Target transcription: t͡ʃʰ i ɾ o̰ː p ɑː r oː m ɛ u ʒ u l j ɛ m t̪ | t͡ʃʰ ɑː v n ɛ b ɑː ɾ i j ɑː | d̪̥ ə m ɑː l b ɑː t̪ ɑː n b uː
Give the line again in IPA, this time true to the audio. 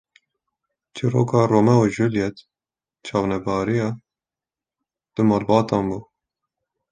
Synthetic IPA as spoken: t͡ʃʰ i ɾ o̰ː k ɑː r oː m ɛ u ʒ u l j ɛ t̪ | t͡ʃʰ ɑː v n ɛ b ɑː ɾ i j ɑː | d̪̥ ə m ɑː l b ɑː t̪ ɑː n b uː